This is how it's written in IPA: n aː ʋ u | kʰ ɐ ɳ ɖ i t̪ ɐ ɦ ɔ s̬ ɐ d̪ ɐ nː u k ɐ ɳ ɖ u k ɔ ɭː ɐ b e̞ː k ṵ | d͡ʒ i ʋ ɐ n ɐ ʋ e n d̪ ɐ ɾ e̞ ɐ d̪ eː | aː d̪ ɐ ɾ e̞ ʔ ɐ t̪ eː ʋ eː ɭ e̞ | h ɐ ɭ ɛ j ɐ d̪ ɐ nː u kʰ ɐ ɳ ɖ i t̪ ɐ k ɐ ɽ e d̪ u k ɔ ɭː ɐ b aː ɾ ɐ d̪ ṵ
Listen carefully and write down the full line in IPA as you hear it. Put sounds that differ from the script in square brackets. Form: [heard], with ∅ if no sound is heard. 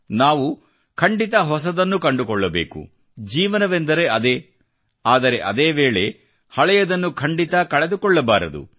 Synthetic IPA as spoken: n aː ʋ u | kʰ ɐ ɳ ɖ i t̪ ɐ ɦ ɔ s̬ ɐ d̪ ɐ nː u k ɐ ɳ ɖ u k ɔ ɭː ɐ b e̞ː k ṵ | d͡ʒ [iː] ʋ ɐ n ɐ ʋ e n d̪ ɐ ɾ e̞ ɐ d̪ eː | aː d̪ ɐ ɾ e̞ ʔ ɐ [d̪] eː ʋ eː ɭ e̞ | h ɐ ɭ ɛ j ɐ d̪ ɐ nː u kʰ ɐ ɳ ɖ i t̪ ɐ k ɐ [ɭ] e d̪ u k ɔ ɭː ɐ b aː ɾ ɐ d̪ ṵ